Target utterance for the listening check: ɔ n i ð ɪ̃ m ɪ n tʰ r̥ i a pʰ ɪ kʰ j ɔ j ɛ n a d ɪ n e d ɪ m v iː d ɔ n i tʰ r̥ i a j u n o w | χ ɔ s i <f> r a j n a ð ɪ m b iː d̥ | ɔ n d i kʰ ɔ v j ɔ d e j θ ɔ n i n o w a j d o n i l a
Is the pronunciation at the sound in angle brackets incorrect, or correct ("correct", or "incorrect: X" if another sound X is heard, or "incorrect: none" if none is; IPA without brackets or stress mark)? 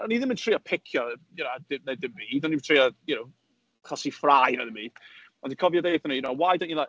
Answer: correct